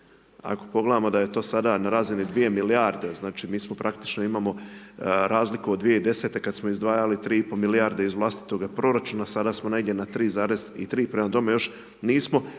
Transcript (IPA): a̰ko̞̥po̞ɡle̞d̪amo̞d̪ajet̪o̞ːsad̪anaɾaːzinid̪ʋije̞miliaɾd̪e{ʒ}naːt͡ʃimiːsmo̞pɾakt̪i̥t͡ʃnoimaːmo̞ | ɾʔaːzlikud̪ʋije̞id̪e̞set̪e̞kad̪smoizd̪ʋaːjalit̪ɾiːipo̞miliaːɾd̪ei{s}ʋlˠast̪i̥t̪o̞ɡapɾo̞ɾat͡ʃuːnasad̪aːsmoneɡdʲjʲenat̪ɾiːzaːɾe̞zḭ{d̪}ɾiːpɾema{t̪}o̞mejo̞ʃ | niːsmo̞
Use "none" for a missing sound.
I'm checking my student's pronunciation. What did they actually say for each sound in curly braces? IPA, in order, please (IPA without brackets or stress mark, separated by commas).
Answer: z, z, t̪, d̪